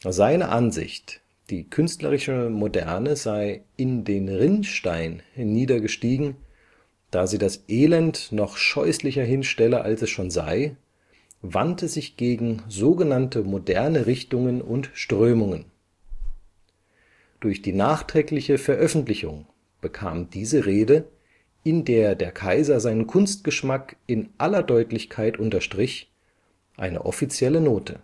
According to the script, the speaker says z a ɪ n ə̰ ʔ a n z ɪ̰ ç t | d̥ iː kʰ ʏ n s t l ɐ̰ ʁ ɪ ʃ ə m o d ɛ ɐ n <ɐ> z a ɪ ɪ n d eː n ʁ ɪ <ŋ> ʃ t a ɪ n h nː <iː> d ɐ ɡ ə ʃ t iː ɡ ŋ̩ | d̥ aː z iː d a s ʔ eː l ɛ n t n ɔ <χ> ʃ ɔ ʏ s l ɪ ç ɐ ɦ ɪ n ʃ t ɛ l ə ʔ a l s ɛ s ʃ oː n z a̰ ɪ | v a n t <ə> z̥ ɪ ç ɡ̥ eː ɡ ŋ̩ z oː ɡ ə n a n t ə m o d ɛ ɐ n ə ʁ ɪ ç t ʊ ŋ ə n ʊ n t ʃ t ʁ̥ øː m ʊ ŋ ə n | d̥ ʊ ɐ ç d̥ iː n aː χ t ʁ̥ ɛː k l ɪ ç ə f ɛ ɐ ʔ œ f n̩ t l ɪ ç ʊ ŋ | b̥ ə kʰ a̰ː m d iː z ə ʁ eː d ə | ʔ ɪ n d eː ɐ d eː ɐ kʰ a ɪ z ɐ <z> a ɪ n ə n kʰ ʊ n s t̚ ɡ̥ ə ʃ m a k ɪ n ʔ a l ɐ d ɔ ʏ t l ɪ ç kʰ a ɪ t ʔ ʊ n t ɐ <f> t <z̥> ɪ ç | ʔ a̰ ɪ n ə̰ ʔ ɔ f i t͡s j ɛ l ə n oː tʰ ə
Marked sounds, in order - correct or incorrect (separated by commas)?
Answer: incorrect, incorrect, correct, correct, correct, correct, incorrect, incorrect